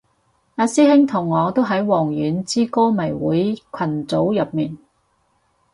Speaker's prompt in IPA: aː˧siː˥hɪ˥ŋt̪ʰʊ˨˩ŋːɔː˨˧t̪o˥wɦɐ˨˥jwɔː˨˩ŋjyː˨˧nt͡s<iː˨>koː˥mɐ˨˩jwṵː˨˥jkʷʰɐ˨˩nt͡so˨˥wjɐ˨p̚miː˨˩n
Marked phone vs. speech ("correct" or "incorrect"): incorrect